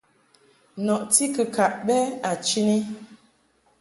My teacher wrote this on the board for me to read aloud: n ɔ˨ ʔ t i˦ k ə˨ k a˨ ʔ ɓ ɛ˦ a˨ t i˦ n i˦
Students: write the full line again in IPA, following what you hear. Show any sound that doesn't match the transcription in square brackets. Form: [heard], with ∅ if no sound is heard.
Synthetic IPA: n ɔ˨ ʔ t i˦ k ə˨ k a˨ ʔ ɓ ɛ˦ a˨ [t͡ʃ] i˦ n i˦